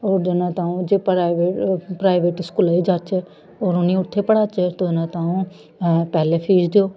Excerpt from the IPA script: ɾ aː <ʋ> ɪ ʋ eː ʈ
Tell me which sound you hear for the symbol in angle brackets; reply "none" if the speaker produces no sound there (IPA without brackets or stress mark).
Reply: none